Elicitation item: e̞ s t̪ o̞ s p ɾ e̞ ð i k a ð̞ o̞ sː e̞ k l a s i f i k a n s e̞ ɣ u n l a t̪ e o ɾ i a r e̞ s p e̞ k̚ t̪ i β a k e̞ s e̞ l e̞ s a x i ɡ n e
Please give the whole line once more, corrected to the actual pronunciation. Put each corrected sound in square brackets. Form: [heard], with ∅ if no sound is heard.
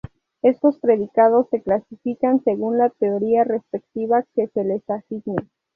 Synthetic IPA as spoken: e̞ s t̪ o̞ s p ɾ e̞ ð i k a ð̞ o̞ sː e̞ k l a s i f i k a n s e̞ ɣ u n l a t̪ e o ɾ i a r e̞ s p e̞ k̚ t̪ i β a k e̞ s e̞ l e̞ s a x i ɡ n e